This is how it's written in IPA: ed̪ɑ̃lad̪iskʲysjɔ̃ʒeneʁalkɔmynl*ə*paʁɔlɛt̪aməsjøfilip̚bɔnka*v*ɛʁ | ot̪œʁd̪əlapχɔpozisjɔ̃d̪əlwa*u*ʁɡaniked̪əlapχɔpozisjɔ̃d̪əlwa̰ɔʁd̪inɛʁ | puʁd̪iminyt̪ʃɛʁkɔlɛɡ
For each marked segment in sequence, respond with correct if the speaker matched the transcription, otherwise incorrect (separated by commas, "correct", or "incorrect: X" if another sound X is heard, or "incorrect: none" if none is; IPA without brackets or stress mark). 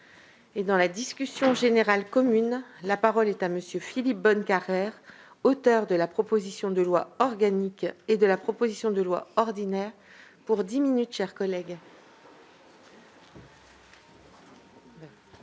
incorrect: a, incorrect: ʁ, incorrect: ɔ